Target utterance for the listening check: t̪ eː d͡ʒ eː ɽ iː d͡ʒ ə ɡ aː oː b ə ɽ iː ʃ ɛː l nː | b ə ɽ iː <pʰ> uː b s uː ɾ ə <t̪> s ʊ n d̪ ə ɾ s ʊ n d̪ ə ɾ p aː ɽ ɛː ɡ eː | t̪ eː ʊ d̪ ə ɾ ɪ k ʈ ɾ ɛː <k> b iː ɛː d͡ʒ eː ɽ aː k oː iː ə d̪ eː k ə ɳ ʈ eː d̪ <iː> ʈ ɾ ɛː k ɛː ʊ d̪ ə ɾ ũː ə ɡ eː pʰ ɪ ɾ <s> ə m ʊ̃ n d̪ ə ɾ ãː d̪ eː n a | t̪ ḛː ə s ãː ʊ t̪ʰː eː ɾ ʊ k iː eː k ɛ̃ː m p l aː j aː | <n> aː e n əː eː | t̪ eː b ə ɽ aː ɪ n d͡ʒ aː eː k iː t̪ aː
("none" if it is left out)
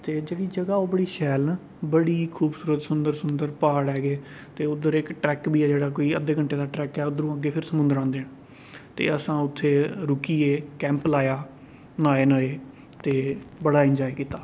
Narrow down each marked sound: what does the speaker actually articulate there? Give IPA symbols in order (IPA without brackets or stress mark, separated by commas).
kʰ, t̪, k, aː, s, n